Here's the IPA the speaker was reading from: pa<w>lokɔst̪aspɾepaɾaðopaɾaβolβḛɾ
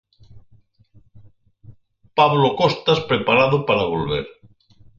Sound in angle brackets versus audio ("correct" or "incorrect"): incorrect